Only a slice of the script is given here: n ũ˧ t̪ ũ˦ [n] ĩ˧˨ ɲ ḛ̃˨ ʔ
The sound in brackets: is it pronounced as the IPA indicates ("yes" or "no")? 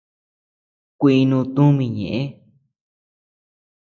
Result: no